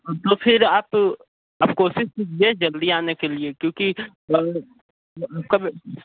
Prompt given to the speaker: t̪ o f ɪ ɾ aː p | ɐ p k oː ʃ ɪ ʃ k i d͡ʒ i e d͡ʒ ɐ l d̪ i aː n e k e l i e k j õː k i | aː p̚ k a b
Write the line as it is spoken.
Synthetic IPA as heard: t̪ o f ɪ ɾ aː p | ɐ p k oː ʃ ɪ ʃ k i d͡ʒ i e d͡ʒ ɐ l d̪ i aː n e k e l i e k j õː k i | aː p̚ k a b